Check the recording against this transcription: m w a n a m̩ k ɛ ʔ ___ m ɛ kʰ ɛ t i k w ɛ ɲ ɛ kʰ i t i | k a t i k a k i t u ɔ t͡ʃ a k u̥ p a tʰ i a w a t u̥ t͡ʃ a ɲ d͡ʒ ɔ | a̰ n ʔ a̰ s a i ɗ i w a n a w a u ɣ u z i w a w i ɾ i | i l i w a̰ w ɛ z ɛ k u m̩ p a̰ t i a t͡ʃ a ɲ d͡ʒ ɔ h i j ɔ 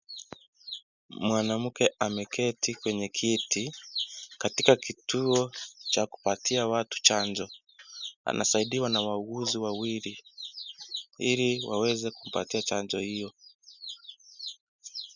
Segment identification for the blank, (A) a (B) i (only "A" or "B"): A